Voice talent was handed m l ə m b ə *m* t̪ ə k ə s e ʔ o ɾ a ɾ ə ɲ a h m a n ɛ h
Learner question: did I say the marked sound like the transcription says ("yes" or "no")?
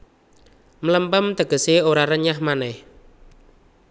yes